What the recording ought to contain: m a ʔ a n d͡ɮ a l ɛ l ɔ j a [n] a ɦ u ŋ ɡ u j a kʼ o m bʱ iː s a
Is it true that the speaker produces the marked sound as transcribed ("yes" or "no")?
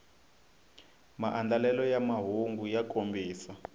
no